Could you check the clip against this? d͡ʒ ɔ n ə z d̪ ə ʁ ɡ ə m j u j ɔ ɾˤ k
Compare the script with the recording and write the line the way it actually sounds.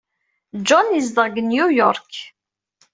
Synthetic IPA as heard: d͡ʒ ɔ n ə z d̪ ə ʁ ɡ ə n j u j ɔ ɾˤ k